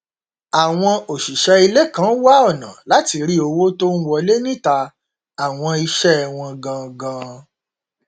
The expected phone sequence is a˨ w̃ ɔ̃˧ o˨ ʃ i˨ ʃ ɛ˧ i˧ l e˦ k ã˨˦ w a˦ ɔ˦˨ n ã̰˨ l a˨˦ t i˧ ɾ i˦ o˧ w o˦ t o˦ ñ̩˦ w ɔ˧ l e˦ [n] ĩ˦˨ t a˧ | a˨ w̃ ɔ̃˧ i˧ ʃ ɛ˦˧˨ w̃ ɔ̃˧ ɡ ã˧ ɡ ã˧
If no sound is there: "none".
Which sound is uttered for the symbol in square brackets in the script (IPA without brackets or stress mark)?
n